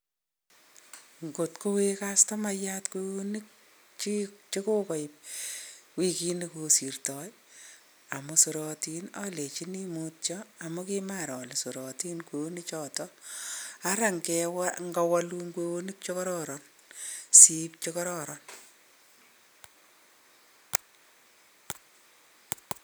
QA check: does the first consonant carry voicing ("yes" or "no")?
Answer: yes